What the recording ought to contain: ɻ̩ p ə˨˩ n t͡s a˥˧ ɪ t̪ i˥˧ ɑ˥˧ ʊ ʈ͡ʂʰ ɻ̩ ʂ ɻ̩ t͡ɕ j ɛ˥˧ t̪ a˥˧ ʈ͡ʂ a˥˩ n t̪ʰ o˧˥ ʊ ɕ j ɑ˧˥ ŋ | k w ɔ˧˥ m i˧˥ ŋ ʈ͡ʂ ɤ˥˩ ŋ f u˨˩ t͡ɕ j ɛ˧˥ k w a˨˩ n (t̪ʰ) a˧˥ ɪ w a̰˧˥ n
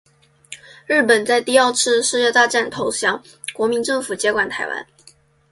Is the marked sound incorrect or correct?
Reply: correct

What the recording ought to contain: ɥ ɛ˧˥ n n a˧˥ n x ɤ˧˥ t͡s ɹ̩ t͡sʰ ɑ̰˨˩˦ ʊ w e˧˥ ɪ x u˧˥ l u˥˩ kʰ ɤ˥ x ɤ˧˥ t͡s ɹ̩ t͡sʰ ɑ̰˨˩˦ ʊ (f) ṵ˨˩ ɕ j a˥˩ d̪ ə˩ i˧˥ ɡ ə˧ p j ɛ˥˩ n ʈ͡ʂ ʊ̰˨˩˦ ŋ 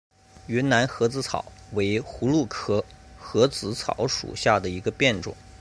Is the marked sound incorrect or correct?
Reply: incorrect: ʂ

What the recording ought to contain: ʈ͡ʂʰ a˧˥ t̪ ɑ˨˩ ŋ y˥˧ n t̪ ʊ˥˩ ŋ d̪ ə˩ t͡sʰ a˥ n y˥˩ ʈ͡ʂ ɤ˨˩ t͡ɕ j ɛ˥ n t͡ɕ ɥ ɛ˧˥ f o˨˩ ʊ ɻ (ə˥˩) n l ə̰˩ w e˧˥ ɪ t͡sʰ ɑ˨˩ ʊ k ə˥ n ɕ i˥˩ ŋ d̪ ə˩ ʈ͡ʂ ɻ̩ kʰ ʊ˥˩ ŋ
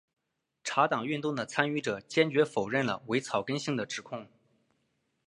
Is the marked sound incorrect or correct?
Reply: correct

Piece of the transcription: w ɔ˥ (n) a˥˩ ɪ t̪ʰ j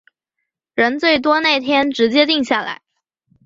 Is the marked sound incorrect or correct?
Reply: correct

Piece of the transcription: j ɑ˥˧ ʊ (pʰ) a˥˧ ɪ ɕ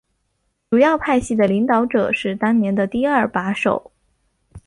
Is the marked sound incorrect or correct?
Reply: correct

